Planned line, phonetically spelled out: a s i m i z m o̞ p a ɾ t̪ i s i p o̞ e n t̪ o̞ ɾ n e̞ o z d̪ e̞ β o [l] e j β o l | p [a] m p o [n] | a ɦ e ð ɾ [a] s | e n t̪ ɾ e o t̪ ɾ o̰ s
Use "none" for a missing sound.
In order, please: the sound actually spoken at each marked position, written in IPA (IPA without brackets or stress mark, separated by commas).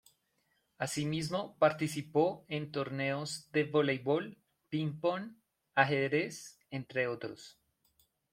l, i, n, e